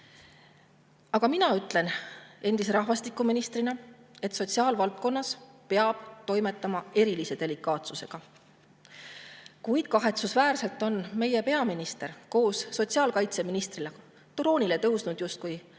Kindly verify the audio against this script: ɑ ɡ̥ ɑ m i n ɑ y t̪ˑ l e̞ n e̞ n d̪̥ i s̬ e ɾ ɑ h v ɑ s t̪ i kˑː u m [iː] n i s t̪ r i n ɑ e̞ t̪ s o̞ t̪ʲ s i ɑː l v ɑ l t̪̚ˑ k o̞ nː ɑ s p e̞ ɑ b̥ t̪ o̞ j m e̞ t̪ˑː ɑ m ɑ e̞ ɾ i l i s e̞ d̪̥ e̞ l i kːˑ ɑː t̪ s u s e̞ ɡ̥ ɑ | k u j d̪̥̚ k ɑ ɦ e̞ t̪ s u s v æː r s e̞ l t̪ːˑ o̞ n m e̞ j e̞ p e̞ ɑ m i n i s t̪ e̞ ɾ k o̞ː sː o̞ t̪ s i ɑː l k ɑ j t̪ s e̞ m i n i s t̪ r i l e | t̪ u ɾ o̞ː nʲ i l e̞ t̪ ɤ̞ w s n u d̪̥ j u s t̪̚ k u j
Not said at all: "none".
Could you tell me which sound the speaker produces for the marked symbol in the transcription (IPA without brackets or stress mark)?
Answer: i